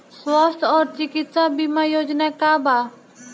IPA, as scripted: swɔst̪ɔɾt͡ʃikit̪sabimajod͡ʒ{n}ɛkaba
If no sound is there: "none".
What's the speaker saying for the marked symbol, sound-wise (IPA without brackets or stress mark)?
n